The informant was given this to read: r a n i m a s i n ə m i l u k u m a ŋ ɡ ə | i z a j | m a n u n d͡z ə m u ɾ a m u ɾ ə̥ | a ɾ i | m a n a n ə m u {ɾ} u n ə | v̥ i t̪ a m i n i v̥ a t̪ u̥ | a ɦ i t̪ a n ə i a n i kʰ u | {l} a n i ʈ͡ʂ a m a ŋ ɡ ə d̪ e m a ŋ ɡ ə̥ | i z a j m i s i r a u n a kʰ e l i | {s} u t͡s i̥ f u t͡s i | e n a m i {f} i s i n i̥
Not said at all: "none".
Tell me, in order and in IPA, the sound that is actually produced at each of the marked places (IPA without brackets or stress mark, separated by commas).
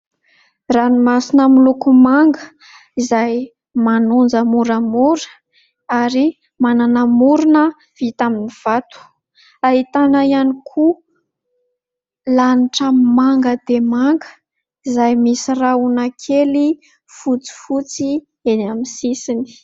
ɾ, l, f, s